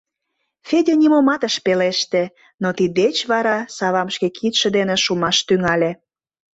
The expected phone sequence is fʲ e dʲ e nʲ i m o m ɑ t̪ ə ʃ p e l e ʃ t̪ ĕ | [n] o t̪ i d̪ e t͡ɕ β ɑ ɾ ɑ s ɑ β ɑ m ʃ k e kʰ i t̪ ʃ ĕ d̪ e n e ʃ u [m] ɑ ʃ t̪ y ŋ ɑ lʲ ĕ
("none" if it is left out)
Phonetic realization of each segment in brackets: n, m

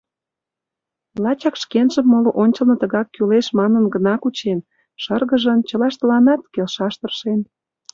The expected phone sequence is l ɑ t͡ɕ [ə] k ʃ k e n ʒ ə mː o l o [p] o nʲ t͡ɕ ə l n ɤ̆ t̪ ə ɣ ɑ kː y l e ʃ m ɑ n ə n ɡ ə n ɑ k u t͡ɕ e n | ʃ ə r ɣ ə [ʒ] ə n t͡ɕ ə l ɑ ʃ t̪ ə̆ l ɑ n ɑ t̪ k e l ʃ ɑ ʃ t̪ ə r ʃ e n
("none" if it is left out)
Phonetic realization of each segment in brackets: ɑ, ʔ, ʒ

